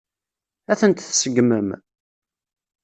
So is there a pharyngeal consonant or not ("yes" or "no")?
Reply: no